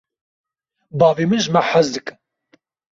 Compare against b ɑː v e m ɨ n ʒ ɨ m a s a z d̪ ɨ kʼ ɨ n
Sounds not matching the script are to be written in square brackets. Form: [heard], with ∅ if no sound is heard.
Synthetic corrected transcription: b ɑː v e m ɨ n ʒ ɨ m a [ħ] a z d̪ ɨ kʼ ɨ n